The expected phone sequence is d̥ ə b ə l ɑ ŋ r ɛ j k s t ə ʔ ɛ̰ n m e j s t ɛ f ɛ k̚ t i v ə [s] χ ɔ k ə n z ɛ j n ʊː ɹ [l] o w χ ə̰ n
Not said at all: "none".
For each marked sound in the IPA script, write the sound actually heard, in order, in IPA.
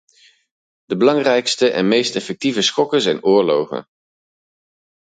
s, l

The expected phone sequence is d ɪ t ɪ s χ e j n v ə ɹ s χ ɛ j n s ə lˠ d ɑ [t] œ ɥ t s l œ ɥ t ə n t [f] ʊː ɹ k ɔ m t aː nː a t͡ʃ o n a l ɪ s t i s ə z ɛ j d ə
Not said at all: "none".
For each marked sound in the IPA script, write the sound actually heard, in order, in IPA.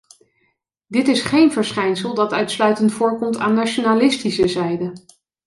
t, f

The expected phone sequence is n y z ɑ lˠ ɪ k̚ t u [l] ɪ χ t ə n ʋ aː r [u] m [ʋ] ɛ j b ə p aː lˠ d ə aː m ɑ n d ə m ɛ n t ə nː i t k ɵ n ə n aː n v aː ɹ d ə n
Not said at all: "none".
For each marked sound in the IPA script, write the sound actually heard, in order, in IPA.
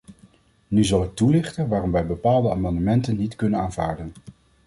l, ɔ, ʋ

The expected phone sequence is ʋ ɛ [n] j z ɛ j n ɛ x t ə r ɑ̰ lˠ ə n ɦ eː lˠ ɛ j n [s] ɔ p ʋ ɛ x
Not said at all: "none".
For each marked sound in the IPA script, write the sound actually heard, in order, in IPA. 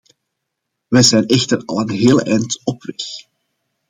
none, t

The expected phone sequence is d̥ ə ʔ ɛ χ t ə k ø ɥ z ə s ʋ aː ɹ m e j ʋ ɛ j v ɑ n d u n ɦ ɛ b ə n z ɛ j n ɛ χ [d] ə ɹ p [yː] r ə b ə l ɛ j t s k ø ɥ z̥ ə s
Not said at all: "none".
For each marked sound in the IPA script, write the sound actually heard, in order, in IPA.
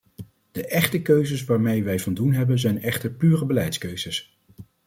t, yː

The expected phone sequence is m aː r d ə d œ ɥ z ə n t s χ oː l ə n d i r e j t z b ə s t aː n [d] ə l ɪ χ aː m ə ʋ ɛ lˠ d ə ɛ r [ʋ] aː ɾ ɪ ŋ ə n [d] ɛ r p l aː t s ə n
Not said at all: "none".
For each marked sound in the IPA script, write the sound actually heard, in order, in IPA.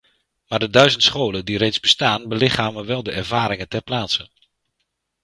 b, v, t

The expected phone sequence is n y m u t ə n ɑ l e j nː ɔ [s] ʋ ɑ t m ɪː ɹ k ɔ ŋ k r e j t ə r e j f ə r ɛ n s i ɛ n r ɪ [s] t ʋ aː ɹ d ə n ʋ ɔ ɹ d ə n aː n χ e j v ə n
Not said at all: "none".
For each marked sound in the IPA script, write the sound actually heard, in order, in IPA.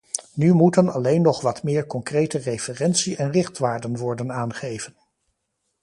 χ, χ

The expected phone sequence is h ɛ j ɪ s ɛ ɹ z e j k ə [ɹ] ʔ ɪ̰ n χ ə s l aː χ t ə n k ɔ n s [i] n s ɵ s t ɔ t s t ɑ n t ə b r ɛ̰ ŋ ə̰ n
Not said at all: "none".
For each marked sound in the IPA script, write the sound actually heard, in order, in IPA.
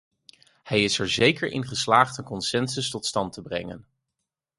ɹ, ɛ

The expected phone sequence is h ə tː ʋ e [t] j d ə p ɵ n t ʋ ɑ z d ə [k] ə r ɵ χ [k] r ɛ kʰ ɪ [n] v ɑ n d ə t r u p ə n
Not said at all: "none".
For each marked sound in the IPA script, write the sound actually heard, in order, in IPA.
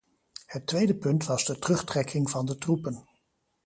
none, t, t, ŋ

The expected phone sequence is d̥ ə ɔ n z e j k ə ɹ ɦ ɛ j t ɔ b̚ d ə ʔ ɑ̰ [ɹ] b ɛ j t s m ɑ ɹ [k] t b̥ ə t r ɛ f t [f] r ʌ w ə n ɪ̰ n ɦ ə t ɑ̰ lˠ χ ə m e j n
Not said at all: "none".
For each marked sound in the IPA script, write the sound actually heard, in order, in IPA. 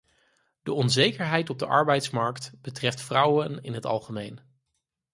ɹ, k, f

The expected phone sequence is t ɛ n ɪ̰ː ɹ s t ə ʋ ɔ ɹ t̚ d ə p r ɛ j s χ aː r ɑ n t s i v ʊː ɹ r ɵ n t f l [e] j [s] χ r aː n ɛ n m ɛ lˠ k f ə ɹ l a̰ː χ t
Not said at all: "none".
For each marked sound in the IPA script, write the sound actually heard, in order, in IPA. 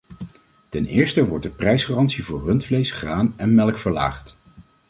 e, s

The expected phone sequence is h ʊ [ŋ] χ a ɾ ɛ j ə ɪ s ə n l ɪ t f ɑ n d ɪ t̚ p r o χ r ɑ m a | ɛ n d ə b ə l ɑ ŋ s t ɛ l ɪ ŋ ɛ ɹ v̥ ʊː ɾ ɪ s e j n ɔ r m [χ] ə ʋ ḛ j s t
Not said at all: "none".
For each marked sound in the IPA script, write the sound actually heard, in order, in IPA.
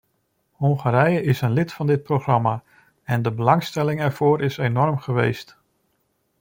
ŋ, χ

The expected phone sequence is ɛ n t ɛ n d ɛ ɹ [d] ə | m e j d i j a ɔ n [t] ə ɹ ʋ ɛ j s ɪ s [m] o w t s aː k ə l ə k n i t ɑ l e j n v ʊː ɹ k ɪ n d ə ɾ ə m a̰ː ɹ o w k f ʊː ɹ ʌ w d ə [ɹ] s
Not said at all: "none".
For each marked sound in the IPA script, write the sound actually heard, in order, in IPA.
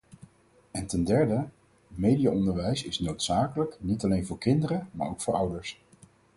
d, d, n, ɹ

